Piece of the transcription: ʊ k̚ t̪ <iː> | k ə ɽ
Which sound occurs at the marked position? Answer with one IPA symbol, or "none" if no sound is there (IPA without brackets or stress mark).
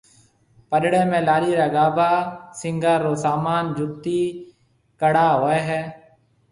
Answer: iː